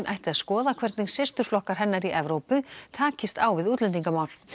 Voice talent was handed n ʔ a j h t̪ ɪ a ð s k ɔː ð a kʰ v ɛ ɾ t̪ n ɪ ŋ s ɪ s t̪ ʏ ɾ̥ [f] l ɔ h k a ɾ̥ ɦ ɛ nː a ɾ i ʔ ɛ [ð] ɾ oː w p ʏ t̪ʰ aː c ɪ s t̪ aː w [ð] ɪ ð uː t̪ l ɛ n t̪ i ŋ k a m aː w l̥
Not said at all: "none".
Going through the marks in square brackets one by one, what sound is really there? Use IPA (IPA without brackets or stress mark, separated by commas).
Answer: f, v, v